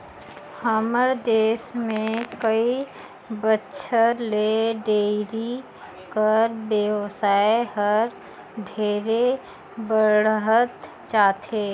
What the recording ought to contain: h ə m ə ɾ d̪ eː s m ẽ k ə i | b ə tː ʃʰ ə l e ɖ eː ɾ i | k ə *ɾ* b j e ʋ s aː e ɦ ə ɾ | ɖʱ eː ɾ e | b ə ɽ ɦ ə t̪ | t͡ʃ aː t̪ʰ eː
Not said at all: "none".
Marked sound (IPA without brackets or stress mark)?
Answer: ɾ